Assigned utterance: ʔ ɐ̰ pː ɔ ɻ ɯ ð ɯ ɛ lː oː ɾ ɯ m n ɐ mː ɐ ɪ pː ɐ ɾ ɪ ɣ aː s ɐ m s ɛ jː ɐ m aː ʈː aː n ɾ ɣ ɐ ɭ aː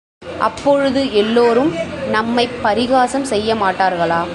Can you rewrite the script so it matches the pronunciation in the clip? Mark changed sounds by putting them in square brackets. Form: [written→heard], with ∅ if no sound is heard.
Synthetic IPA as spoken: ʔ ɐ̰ pː ɔ ɻ ɯ ð ɯ ɛ lː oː ɾ ɯ m n ɐ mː ɐ ɪ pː ɐ ɾ ɪ ɣ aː s ɐ m s ɛ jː ɐ m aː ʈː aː [n→∅] ɾ ɣ ɐ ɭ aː

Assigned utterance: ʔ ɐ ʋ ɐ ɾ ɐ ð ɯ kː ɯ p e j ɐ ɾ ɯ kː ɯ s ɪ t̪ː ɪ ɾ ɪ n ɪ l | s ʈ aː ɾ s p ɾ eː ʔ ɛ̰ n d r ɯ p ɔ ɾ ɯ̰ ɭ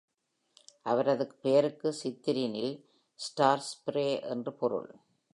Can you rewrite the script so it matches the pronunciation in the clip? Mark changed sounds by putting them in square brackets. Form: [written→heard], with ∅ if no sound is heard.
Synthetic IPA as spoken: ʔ ɐ ʋ ɐ ɾ ɐ ð ɯ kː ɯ p e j ɐ ɾ ɯ kː ɯ s ɪ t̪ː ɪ ɾ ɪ n ɪ l | s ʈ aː ɾ s p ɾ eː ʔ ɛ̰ n d r ɯ p ɔ ɾ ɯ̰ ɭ

